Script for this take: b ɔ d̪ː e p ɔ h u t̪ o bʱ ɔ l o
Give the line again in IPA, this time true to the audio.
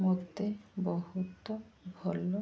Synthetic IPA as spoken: m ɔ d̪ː e b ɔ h u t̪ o bʱ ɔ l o